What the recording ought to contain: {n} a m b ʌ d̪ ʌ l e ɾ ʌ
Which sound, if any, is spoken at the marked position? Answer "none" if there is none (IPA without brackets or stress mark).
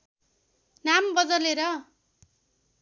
n